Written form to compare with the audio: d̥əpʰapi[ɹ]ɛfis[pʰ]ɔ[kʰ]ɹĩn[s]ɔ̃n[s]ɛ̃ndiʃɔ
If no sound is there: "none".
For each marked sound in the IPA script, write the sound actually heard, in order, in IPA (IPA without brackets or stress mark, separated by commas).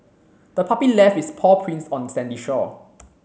l, pʰ, pʰ, s, s